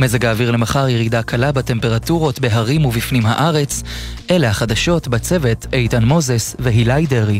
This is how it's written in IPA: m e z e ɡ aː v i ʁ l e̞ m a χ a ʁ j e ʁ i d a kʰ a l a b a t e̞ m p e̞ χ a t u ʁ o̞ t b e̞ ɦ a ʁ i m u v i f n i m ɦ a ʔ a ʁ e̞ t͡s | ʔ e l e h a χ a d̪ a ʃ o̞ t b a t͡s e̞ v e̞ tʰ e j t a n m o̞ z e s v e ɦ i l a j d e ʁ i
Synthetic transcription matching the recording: m e z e ɡ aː v i ʁ l e̞ m a χ a ʁ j e ʁ i d a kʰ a l a b a t e̞ m p e̞ ʁ a t u ʁ o̞ t b e̞ ɦ a ʁ i m u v i f n i m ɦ a ʔ a ʁ e̞ t͡s | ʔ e l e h a χ a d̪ a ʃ o̞ t b a t͡s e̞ v e̞ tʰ e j t a n m o̞ z e s v e ɦ i l a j d e ʁ i